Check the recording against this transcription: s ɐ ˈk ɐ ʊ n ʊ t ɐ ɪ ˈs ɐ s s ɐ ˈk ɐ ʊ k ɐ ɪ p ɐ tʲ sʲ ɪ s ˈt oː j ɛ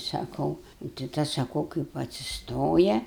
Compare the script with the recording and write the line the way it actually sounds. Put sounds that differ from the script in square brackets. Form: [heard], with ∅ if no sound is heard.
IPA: s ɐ ˈk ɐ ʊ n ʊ t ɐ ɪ [ˈt] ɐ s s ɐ ˈk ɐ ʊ k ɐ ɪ p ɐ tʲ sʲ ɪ s ˈt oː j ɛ